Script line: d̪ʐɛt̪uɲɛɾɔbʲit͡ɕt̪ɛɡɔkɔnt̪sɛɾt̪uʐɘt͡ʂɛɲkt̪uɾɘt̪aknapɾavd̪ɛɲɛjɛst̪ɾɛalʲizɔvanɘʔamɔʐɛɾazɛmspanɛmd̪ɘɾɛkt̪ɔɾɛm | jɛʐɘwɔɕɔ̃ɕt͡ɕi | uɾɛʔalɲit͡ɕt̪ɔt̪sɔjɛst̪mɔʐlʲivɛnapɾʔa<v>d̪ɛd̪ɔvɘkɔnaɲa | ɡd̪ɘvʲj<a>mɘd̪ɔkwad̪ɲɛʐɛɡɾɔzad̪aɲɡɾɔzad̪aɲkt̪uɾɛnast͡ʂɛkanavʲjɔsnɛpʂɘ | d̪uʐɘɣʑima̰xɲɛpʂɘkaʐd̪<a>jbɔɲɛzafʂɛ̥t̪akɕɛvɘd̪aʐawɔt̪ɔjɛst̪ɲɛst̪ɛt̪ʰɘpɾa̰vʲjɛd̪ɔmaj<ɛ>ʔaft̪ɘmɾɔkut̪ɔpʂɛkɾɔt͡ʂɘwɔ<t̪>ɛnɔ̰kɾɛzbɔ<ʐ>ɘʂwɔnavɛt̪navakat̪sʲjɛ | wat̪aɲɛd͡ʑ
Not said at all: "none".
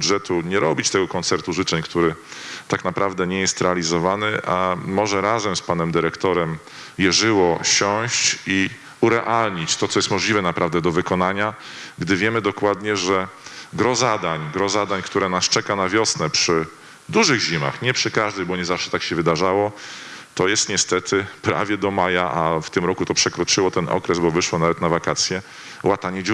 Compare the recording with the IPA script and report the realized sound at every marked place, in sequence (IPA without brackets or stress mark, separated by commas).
v, ɛ, ɛ, a, t̪, v